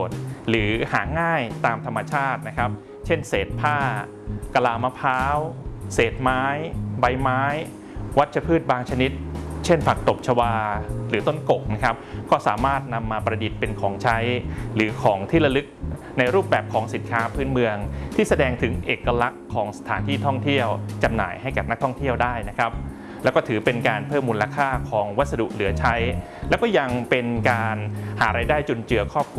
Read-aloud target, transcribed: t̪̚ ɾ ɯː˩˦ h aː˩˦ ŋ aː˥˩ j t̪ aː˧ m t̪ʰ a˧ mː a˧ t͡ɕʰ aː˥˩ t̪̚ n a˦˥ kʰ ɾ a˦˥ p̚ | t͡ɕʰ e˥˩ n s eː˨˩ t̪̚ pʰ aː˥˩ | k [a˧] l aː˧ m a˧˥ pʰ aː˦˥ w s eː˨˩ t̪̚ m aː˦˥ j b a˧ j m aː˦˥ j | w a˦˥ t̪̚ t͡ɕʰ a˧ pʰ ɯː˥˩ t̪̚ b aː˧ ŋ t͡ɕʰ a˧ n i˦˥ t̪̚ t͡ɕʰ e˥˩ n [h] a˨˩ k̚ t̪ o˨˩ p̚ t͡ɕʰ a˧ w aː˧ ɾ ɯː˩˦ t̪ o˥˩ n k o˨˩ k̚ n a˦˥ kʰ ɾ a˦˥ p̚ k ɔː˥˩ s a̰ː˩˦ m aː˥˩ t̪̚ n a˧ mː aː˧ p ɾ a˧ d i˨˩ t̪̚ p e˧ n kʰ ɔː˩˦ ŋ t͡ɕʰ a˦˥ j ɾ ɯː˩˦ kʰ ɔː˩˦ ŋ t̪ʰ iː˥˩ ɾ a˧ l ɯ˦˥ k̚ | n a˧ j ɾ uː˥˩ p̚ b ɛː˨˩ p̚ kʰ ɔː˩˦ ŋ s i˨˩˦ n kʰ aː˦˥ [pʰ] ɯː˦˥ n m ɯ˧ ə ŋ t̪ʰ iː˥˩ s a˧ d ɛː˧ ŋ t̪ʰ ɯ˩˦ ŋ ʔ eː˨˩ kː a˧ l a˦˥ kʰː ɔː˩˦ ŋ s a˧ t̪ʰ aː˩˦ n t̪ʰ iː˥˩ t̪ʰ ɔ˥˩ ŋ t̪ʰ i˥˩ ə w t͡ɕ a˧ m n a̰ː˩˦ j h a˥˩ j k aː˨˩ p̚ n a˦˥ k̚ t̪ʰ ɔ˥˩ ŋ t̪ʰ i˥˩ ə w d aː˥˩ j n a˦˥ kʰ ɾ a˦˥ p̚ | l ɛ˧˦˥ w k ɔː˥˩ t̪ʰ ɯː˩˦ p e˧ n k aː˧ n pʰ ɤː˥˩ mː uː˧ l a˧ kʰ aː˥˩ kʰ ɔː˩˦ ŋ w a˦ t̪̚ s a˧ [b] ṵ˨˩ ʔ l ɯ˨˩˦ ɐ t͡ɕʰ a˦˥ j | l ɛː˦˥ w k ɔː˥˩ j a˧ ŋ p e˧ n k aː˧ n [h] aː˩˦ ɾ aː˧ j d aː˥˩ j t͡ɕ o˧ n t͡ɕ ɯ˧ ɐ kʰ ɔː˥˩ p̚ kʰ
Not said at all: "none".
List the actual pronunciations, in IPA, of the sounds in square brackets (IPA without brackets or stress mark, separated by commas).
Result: a˧, f, pʰ, d, h